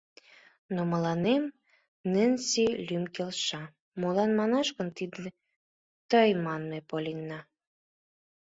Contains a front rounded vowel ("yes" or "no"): yes